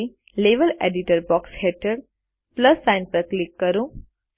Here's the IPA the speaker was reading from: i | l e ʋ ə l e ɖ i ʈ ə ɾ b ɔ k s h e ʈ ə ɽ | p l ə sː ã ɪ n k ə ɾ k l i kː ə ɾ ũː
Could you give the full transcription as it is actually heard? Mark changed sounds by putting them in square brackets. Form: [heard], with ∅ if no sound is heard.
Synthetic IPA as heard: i | l e ʋ ə l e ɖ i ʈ ə ɾ b ɔ k s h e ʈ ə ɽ | p l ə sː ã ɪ n [p] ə ɾ k l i kː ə ɾ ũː